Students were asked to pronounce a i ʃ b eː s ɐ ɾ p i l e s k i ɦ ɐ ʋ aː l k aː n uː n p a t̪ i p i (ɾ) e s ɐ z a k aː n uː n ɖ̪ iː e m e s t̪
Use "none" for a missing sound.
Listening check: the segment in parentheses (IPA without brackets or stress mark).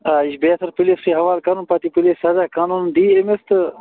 l